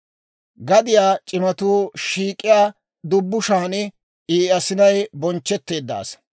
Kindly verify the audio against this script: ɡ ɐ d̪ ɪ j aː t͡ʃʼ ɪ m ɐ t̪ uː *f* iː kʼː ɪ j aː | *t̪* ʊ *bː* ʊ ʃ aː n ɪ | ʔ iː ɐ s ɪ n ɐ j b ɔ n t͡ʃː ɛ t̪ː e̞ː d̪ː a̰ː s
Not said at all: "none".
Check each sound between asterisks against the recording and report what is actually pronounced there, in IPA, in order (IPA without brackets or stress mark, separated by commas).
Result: ʃ, d̪, bː